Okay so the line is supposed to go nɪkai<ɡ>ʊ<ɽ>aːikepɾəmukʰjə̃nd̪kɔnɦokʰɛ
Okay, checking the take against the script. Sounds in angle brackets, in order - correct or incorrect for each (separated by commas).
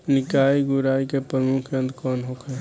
correct, incorrect